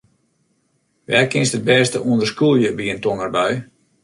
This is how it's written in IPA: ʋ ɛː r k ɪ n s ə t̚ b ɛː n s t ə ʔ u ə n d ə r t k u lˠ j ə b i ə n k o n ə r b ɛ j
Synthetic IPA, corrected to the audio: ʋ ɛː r k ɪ n s ə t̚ b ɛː s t ə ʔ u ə n d ə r s k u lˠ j ə b i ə n t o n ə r b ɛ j